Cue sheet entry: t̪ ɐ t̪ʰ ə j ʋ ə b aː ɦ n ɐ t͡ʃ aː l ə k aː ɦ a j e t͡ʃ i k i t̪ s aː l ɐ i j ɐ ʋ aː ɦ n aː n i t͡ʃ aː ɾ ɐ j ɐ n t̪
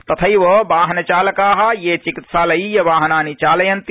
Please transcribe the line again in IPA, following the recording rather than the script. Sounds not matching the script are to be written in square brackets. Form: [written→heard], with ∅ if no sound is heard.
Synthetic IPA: t̪ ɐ t̪ʰ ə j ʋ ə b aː ɦ n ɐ t͡ʃ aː l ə k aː ɦ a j e t͡ʃ i k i t̪ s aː l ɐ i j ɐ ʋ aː ɦ n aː n i t͡ʃ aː [ɾ→l] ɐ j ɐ n t̪